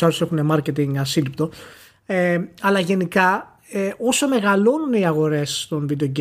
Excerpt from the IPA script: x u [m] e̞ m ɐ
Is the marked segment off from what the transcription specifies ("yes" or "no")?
yes